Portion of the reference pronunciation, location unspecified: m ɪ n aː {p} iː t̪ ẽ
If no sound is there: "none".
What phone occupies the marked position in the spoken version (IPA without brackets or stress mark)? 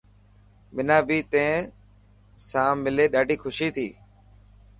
b